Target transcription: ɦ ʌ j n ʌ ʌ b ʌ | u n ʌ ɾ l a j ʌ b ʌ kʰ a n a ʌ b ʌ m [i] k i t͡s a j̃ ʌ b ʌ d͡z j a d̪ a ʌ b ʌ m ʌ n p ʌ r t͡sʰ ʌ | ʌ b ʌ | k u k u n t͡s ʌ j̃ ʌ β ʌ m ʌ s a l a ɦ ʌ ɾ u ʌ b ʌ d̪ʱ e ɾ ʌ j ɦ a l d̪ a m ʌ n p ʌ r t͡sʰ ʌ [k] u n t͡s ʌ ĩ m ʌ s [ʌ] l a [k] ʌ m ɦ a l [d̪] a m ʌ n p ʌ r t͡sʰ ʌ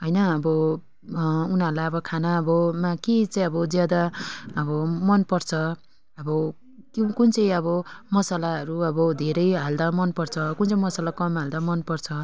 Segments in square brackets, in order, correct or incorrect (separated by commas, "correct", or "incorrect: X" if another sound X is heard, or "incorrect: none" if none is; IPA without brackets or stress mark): incorrect: a, correct, incorrect: a, correct, correct